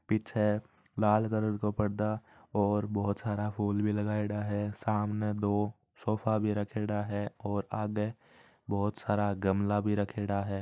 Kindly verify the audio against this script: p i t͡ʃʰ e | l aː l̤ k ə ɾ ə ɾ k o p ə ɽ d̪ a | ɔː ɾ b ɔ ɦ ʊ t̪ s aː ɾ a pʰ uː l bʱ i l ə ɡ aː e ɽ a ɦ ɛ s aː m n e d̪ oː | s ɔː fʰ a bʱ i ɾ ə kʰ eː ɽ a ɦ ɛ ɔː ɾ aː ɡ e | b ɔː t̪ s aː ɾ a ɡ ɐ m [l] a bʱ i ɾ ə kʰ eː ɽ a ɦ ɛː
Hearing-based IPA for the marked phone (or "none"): l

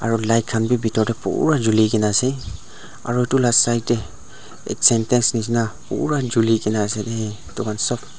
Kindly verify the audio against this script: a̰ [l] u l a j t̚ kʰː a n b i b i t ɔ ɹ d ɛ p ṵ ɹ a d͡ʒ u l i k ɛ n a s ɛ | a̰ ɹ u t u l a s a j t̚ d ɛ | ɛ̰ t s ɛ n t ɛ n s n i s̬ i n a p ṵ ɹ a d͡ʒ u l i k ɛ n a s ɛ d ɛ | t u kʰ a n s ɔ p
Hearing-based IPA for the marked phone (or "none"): ɹ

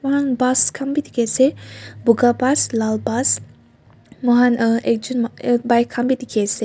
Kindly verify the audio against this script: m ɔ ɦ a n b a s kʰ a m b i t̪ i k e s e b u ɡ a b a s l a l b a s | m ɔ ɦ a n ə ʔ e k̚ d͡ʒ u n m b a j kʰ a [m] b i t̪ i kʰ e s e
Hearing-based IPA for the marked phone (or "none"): m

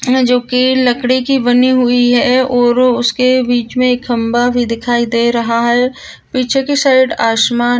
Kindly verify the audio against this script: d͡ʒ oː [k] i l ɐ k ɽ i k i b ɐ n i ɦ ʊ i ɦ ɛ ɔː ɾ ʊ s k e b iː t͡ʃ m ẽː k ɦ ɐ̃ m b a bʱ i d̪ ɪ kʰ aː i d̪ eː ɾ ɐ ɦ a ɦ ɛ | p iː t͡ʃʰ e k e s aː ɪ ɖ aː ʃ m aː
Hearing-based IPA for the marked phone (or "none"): k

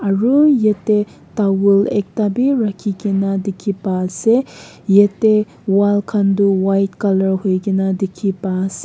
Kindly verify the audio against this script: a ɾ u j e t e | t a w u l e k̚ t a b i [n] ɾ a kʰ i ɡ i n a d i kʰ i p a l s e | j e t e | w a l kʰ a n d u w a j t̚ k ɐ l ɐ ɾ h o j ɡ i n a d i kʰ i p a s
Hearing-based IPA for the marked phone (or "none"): none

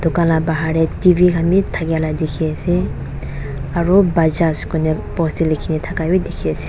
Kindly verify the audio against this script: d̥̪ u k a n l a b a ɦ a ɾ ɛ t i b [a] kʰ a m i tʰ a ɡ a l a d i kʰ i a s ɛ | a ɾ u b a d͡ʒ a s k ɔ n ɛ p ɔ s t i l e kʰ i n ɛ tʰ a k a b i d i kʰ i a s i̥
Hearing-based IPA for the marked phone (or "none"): i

